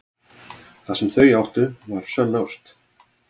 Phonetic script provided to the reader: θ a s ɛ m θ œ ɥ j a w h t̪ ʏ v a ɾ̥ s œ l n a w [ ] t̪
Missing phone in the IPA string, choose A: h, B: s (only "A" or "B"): B